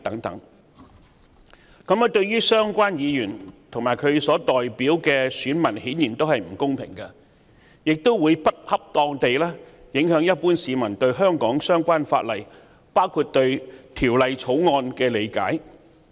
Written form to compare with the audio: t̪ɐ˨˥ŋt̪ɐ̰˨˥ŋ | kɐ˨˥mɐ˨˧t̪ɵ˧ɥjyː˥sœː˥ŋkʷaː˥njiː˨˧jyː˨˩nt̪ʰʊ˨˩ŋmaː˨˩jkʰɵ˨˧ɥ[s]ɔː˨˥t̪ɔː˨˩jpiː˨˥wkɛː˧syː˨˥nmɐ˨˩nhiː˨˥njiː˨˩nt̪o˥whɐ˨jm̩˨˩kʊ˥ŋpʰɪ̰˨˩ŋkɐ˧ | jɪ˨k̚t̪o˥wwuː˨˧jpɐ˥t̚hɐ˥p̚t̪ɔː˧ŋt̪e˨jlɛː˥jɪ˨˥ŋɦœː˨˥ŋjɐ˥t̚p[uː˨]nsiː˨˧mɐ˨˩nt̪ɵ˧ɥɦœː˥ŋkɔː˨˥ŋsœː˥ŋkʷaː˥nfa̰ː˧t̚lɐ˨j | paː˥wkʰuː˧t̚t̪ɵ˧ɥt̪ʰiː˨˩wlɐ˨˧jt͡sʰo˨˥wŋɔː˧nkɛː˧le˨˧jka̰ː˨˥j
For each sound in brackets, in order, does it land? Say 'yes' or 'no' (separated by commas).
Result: yes, no